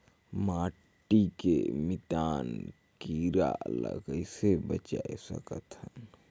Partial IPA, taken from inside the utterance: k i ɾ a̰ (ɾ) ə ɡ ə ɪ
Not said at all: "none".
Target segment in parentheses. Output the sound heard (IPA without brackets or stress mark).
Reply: l